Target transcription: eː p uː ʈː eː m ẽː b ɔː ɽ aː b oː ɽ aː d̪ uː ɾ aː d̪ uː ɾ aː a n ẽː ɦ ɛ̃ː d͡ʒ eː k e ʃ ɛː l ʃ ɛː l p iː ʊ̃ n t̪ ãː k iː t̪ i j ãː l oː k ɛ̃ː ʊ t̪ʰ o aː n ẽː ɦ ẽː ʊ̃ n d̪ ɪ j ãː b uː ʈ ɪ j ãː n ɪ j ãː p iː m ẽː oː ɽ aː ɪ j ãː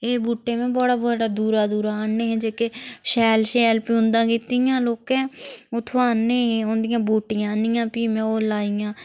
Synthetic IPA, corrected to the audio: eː b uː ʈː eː m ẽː b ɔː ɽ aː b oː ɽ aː d̪ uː ɾ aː d̪ uː ɾ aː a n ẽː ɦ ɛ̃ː d͡ʒ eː k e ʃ ɛː l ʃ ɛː l p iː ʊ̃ n d̪ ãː k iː t̪ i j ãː l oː k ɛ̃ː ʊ t̪ʰ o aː n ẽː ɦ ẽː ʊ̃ n d̪ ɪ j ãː b uː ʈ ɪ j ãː n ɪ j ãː p iː m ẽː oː l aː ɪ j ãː

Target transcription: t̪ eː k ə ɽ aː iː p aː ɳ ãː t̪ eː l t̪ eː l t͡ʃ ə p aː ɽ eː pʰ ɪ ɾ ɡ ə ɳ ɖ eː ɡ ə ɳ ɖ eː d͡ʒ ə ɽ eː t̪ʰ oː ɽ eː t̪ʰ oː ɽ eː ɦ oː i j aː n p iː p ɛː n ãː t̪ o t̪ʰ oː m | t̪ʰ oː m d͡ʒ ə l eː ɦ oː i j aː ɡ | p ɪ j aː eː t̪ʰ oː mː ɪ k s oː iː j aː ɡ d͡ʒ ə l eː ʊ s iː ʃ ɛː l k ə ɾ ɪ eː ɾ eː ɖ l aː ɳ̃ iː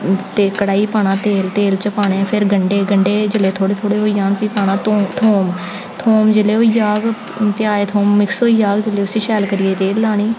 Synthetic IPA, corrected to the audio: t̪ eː k ə ɽ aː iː p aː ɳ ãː t̪ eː l t̪ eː l t͡ʃ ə p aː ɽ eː pʰ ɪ ɾ ɡ ə ɳ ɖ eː ɡ ə ɳ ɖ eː d͡ʒ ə l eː t̪ʰ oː ɽ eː t̪ʰ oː ɽ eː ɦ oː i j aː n p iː p aː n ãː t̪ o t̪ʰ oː m | t̪ʰ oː m d͡ʒ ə l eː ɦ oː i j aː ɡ | p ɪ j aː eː t̪ʰ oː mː ɪ k s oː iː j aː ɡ d͡ʒ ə l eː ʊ s iː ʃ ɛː l k ə ɾ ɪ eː ɾ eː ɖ l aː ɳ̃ iː

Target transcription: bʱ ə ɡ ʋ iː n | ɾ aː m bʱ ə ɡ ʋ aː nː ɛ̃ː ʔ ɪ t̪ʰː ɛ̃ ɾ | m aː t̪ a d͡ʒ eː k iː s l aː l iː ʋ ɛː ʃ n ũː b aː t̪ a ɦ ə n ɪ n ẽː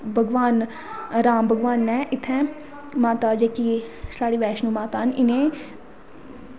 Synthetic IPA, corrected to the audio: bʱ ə ɡ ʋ aː n | ɾ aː m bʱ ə ɡ ʋ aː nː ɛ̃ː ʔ ɪ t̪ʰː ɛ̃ | m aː t̪ a d͡ʒ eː k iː s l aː ɽ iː ʋ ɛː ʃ n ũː m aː t̪ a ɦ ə n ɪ n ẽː

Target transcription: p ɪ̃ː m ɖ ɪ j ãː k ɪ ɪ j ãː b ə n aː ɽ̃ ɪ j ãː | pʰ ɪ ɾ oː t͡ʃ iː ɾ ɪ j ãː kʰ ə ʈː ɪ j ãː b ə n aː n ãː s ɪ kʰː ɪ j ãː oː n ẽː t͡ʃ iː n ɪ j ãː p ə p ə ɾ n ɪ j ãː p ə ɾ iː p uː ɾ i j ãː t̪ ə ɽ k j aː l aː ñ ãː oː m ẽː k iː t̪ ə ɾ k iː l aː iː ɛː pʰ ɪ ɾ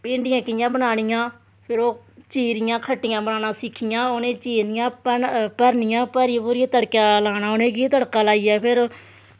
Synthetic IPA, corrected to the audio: p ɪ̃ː ɳ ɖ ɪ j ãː k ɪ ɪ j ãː b ə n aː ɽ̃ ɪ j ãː | pʰ ɪ ɾ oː t͡ʃ iː ɾ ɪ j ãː kʰ ə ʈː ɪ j ãː b ə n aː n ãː s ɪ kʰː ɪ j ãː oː n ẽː t͡ʃ iː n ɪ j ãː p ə p ə ɾ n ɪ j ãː p ə ɾ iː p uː ɾ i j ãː t̪ ə ɽ k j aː l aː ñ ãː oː n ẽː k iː t̪ ə ɽ k aː l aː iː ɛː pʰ ɪ ɾ

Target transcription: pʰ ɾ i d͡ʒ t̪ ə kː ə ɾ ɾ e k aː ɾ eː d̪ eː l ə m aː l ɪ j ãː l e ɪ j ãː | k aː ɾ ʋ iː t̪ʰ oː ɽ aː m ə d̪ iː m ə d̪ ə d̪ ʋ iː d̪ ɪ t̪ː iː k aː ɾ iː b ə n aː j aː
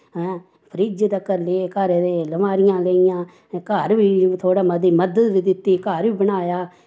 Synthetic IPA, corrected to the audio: pʰ ɾ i d͡ʒ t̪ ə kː ə ɾ l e k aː ɾ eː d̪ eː l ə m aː ɾ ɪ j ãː l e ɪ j ãː | k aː ɾ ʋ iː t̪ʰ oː ɽ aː m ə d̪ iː m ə d̪ ə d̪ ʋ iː d̪ ɪ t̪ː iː k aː ɾ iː b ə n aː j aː

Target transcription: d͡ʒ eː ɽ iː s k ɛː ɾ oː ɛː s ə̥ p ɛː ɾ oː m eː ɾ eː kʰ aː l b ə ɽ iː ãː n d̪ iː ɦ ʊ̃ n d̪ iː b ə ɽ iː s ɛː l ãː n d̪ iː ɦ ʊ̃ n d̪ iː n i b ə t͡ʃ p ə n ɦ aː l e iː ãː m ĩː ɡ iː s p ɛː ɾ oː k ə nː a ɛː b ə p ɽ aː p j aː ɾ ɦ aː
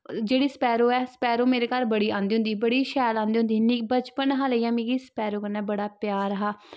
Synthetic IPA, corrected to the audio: d͡ʒ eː ɽ iː s p ɛː ɾ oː ɛː s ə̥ p ɛː ɾ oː m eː ɾ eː k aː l b ə ɽ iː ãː n d̪ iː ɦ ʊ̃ n d̪ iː b ə ɽ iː ʃ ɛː l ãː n d̪ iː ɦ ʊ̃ n d̪ iː n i b ə t͡ʃ p ə n ɦ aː l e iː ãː m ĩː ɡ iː s p ɛː ɾ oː k ə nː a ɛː b ə ɽ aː p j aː ɾ ɦ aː

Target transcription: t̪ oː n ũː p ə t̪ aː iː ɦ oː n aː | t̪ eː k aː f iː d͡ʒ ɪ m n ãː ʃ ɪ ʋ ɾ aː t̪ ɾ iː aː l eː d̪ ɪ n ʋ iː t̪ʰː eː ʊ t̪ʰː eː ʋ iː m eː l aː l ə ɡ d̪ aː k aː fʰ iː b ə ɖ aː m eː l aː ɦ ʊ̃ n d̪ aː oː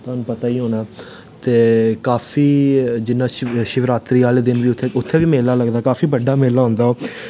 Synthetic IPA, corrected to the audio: t̪ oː n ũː p ə t̪ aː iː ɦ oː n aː | t̪ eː k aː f iː d͡ʒ ɪ n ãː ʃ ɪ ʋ ɾ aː t̪ ɾ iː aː l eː d̪ ɪ n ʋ iː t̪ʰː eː ʊ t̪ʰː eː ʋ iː m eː l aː l ə ɡ d̪ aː k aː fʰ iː b ə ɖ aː m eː l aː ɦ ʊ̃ n d̪ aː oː

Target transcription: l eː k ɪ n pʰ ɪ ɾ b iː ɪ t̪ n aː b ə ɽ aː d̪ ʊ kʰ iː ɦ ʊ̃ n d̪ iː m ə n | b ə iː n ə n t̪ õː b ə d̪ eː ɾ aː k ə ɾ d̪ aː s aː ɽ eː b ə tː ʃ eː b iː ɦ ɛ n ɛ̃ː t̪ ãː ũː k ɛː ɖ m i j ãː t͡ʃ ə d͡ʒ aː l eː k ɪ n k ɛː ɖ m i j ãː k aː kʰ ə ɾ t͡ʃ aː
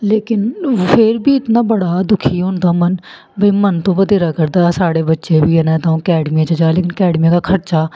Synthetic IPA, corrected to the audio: l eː k ɪ n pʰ ɪ ɾ b iː ɪ t̪ n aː b ə ɽ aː d̪ ʊ kʰ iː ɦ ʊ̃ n d̪ aː m ə n | b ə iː m ə n t̪ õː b ə d̪ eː ɾ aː k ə ɾ d̪ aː s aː ɽ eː b ə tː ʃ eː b iː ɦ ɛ n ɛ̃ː t̪ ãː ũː k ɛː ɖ m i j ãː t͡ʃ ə d͡ʒ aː l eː k ɪ n k ɛː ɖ m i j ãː k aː kʰ ə ɾ t͡ʃ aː

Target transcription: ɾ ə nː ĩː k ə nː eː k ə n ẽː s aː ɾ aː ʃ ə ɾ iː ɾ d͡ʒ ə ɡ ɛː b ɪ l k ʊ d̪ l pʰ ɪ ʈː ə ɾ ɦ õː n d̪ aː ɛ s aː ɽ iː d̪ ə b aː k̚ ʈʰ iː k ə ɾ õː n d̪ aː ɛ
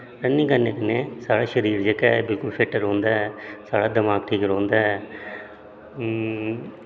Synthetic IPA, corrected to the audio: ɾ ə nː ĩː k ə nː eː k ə n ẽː s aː ɽ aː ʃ ə ɾ iː ɾ d͡ʒ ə k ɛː b ɪ l k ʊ l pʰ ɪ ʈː ə ɾ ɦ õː n d̪ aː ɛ s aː ɽ aː d̪ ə m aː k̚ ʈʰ iː k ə ɾ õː n d̪ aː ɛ

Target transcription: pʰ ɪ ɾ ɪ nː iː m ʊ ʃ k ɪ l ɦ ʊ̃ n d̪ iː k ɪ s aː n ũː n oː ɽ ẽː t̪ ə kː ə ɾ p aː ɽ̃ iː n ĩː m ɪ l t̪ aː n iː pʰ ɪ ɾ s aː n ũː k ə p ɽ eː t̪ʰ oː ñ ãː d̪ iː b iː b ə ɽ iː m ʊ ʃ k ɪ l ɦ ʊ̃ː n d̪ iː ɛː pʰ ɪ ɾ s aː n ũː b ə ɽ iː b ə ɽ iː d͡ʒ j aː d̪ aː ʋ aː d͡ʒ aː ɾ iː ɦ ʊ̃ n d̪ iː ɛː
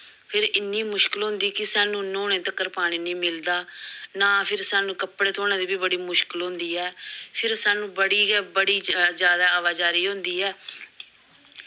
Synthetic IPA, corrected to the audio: pʰ ɪ ɾ ɪ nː iː m ʊ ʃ k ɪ l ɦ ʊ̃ n d̪ iː k ɪ s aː n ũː n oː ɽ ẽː t̪ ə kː ə ɾ p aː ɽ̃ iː n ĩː m ɪ l d̪ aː n aː pʰ ɪ ɾ s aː n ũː k ə p ɽ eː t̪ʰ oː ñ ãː d̪ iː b iː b ə ɽ iː m ʊ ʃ k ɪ l ɦ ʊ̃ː n d̪ iː ɛː pʰ ɪ ɾ s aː n ũː b ə ɽ iː b ə ɽ iː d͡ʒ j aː d̪ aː ʋ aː d͡ʒ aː ɾ iː ɦ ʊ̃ n d̪ iː ɛː

